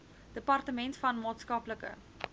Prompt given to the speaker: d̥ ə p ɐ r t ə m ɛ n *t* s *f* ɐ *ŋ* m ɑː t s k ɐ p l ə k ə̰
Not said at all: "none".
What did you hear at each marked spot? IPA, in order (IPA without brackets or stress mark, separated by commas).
t, f, n